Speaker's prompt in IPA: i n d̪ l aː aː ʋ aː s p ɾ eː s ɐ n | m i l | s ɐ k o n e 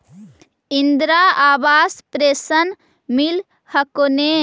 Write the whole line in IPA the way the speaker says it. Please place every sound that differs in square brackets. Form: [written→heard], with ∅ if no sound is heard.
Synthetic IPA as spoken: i n d̪ [l→ɾ] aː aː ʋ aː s p ɾ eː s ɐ n | m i l | [s→h] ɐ k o n e